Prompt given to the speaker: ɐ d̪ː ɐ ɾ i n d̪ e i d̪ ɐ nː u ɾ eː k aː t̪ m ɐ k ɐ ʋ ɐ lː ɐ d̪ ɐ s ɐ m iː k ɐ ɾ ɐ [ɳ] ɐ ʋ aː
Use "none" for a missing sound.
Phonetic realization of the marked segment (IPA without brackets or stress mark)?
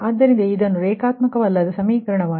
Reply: ɳ